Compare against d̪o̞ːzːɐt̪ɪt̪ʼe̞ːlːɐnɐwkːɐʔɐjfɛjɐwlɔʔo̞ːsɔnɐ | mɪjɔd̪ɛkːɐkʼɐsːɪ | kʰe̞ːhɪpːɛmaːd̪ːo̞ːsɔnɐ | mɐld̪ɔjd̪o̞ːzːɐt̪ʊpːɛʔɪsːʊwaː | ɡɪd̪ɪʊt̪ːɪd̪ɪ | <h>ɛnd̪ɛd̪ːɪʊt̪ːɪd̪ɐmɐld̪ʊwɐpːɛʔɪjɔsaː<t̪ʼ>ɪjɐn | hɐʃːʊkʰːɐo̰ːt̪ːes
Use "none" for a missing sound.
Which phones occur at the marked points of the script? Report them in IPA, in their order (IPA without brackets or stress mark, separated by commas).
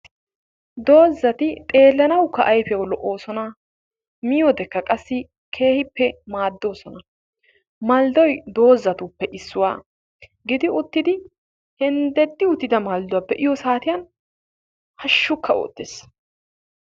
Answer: h, t̪